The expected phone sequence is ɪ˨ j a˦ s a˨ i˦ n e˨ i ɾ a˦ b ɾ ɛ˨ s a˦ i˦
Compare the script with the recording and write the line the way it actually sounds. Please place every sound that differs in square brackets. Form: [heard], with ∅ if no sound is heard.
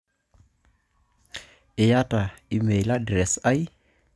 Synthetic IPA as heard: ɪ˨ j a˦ [t] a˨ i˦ [m] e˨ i [l] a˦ [d] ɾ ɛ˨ s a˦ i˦

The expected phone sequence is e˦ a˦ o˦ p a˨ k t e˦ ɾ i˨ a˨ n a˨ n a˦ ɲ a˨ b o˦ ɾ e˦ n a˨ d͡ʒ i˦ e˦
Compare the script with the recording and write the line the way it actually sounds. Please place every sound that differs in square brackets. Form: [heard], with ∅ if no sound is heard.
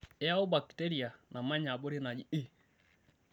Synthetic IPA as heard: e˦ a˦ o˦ [b] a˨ k t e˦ ɾ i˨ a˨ n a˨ [m] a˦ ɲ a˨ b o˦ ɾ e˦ n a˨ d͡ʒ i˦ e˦

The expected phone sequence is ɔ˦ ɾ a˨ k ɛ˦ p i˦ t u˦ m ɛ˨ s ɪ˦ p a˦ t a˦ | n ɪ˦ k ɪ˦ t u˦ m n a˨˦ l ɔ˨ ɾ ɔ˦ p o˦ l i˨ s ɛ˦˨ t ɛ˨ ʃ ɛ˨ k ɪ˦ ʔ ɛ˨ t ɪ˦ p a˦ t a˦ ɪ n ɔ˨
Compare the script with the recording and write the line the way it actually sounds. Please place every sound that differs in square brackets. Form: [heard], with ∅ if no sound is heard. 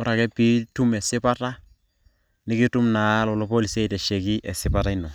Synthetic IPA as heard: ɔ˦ ɾ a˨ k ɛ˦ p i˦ t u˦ m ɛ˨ s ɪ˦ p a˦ t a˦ | n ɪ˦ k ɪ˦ t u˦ m n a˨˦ l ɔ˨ [l] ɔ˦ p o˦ l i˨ s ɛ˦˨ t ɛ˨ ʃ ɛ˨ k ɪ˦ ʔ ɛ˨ [s] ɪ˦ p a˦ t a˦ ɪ n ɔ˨

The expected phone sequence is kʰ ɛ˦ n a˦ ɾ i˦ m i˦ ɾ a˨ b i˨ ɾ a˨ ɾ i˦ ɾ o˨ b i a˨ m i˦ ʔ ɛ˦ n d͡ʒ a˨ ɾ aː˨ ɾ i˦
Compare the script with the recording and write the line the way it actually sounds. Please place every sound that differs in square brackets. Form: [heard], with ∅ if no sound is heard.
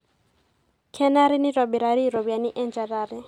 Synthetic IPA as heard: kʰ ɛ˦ n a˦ ɾ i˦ [n] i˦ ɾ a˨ b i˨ ɾ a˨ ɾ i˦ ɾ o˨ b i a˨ [n] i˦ ʔ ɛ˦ n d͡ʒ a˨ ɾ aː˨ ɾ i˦

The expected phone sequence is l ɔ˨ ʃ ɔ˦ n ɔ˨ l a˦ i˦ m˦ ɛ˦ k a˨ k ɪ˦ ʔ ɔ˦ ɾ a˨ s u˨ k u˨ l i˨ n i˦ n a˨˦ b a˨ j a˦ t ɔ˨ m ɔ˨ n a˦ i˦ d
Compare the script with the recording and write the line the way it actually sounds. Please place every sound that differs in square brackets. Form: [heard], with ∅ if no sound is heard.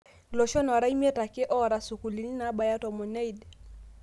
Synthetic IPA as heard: l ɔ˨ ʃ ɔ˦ n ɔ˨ [ɾ] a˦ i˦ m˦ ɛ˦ [t] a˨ k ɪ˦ ʔ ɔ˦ ɾ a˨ s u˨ k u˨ l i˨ n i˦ n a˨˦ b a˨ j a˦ t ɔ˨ m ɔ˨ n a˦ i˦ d

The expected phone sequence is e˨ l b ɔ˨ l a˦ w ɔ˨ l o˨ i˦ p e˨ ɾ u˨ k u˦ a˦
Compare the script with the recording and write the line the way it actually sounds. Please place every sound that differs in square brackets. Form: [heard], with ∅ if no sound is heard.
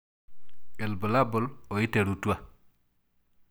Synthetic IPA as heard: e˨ l b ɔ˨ l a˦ [b] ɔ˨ l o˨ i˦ [t] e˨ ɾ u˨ [t] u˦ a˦

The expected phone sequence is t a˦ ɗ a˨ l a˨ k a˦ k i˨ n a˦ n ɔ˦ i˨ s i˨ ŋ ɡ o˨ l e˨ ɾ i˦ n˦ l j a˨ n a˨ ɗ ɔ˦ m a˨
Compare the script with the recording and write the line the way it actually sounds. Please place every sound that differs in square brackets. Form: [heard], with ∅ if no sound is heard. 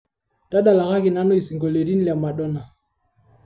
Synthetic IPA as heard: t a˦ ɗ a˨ l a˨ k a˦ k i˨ n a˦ n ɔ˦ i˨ s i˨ ŋ ɡ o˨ l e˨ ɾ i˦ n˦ l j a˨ [m] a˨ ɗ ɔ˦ [n] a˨

